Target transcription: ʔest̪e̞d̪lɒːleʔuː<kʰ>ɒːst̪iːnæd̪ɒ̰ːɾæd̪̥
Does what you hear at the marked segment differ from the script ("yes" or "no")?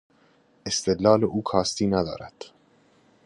no